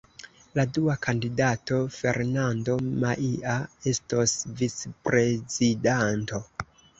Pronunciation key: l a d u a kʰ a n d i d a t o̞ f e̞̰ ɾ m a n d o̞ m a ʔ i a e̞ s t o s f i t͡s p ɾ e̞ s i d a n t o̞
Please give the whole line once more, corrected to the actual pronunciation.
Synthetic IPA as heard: l a d u a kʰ a n d i d a t o̞ f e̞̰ ɾ n a n d o̞ m a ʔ i a e̞ s t o s v i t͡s p ɾ e̞ z i d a n t o̞